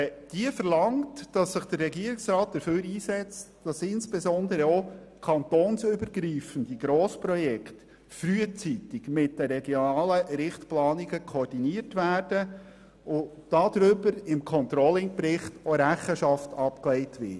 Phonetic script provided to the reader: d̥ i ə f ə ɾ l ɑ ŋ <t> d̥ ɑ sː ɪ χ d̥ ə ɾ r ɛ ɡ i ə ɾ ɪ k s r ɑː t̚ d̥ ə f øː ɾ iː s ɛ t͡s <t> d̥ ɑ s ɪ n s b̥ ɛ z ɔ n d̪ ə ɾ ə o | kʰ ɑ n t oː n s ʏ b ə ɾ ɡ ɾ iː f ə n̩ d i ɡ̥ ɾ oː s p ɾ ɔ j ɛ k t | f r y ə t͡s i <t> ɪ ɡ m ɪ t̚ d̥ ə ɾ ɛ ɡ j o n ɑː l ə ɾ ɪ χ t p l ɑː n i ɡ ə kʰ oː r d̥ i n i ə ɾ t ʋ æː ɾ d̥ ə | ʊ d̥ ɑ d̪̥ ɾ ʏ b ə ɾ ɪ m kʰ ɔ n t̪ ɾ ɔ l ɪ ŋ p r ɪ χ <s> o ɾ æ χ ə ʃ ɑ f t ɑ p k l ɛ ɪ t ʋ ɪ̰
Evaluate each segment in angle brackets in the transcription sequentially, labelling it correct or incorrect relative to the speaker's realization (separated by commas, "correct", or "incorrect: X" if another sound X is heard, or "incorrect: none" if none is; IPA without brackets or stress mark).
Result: correct, correct, correct, incorrect: t